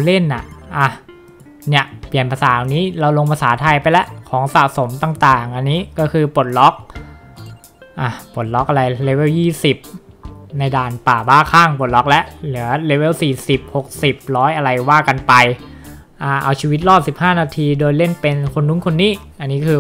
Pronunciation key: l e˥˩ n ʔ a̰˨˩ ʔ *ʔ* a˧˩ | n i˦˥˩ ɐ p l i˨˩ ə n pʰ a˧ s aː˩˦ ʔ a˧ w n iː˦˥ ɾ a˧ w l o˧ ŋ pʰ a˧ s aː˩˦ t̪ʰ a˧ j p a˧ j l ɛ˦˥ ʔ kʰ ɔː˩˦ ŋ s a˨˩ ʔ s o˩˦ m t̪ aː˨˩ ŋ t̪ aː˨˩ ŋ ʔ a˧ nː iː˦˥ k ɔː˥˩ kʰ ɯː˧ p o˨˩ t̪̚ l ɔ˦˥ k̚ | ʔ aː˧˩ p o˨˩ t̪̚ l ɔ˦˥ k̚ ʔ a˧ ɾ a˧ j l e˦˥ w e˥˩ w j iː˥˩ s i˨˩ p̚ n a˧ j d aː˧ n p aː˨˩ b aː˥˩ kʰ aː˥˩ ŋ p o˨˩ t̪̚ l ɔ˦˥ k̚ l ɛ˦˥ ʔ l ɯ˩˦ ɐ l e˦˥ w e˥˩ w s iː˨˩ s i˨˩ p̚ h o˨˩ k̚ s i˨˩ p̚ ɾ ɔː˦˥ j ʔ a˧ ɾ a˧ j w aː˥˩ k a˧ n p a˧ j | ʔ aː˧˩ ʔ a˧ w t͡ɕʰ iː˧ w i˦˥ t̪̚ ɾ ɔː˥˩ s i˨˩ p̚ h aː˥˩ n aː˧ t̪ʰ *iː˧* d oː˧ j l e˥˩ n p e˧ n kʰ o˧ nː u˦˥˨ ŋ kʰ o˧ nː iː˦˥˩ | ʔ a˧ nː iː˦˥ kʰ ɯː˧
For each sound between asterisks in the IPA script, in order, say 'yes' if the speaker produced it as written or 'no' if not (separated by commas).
yes, yes